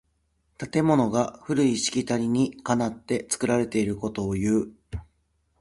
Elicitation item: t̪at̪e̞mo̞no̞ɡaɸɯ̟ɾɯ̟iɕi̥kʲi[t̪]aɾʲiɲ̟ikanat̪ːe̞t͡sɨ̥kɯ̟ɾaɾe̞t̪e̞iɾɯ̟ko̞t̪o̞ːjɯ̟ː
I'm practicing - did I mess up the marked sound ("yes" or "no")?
no